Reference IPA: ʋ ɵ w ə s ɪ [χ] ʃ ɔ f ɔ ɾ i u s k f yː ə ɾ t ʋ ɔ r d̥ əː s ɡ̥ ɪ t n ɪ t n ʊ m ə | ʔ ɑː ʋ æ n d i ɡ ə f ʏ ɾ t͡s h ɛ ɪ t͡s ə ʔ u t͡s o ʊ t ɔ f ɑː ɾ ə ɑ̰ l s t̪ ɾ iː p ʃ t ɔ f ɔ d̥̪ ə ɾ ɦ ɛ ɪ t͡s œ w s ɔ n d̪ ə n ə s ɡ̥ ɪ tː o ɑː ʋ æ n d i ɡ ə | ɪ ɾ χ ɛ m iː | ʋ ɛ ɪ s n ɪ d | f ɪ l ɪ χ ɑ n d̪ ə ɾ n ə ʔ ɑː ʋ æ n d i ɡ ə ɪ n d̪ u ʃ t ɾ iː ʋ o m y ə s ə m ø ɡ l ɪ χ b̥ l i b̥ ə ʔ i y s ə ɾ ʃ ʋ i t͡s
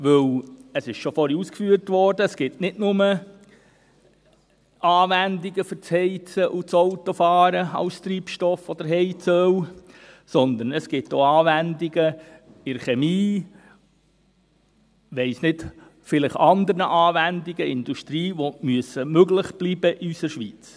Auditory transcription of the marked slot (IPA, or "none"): ʃ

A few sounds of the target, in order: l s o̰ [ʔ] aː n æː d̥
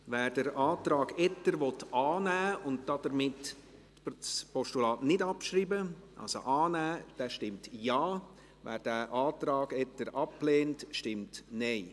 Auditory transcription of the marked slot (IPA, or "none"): ʔ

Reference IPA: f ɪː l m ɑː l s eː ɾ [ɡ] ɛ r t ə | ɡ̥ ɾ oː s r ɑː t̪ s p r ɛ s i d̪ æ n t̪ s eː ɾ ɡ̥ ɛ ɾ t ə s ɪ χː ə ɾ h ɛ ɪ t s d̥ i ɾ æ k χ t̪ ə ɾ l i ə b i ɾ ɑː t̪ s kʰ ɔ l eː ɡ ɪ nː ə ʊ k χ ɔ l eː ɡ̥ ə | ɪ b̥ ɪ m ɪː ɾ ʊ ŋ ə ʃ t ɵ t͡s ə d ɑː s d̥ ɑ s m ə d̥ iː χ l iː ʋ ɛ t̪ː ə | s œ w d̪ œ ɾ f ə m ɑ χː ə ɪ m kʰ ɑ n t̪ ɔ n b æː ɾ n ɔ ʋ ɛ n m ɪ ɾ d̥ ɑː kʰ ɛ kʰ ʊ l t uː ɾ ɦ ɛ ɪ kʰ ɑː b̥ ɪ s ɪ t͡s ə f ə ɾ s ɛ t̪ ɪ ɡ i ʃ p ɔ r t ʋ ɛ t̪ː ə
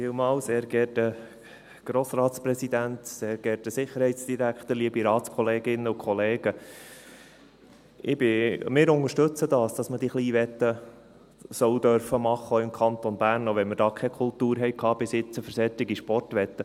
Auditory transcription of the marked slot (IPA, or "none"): ɡ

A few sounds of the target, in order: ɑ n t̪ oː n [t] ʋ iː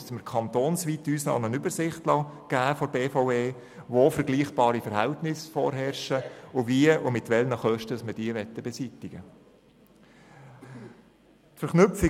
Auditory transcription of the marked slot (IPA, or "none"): s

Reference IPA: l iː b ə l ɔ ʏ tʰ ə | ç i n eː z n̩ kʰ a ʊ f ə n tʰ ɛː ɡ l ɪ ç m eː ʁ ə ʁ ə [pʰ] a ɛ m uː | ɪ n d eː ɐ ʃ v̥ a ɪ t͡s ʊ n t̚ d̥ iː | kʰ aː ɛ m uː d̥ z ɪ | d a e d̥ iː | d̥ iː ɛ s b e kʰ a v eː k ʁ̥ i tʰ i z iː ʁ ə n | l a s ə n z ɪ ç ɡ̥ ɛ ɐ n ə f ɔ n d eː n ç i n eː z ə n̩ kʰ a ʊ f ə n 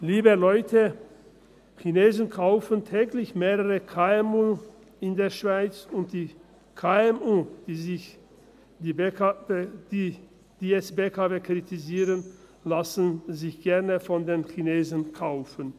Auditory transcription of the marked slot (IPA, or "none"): kʰ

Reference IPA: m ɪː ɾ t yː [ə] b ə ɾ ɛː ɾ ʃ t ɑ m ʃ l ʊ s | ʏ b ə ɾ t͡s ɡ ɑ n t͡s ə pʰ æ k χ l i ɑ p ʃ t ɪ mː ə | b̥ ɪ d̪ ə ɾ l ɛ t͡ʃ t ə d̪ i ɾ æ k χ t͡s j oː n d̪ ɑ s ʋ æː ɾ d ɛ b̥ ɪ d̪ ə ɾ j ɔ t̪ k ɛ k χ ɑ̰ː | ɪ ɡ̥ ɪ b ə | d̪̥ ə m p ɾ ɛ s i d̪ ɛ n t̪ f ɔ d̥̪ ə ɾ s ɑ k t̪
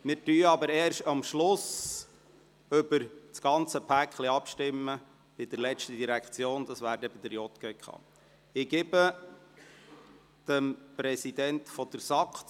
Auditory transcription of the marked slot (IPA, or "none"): ɑ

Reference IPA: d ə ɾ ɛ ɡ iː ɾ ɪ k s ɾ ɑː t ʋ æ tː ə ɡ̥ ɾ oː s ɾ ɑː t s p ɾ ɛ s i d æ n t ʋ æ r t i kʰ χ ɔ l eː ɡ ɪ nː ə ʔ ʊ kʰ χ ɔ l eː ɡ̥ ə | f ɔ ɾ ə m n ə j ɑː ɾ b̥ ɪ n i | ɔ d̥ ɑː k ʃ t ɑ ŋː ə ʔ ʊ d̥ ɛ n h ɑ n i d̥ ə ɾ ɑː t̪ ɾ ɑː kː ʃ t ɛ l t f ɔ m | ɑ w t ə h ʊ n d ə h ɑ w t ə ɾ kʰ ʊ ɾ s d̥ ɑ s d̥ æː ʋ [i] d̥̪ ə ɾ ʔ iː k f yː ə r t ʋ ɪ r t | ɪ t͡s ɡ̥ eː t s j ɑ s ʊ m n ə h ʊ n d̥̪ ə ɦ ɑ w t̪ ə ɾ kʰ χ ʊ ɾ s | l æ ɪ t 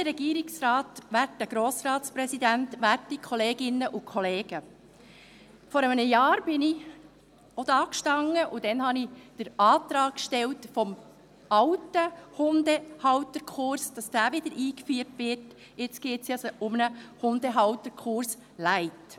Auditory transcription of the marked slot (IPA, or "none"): ɪ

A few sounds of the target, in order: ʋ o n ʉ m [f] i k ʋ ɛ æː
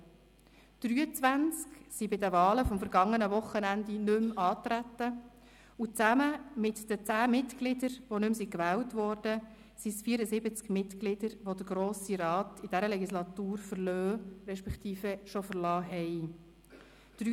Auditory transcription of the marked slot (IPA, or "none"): s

